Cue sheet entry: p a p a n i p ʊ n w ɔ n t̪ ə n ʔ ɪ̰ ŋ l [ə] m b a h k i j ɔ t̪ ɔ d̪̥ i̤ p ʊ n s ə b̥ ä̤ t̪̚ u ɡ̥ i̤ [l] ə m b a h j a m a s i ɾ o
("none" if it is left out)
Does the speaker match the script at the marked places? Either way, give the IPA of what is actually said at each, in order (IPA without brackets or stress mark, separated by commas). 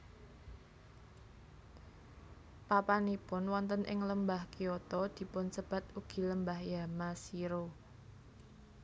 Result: ə, l